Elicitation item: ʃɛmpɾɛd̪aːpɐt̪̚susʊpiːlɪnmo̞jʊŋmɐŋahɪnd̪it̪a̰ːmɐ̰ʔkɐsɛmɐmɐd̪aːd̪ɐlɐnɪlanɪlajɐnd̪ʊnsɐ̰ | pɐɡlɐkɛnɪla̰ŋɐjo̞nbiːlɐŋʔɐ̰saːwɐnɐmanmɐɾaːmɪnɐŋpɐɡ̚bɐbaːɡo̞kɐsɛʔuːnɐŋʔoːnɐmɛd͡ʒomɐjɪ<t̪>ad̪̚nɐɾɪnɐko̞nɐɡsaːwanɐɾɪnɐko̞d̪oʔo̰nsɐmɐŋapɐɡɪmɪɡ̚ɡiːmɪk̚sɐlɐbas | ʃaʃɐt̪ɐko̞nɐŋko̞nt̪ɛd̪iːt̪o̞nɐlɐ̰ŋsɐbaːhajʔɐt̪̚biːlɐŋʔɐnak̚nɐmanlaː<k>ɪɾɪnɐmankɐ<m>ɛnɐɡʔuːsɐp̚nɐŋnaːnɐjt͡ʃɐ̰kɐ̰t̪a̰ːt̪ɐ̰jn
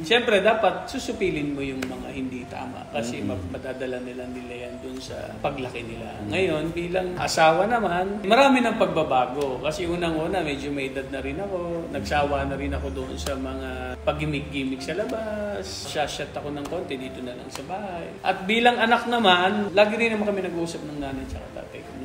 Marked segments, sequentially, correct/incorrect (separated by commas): incorrect, incorrect, correct